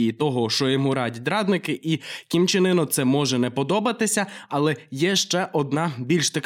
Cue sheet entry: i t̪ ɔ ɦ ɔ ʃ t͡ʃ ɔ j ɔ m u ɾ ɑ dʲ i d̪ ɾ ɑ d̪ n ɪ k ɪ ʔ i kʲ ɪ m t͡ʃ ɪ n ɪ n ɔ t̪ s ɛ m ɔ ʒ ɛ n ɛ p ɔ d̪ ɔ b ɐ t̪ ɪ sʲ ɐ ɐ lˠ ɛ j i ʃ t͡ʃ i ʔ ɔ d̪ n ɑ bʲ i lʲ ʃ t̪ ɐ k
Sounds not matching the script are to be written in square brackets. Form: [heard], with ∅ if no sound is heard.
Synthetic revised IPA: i t̪ ɔ ɦ ɔ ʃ t͡ʃ ɔ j ɔ m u ɾ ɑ dʲ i d̪ ɾ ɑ d̪ n ɪ k ɪ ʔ i kʲ [i] m t͡ʃ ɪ n ɪ n ɔ t̪ s ɛ m ɔ ʒ ɛ n ɛ p ɔ d̪ ɔ b ɐ t̪ ɪ sʲ ɐ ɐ lˠ ɛ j [ɛ] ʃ t͡ʃ [ɛ] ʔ ɔ d̪ n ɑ bʲ i lʲ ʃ t̪ ɐ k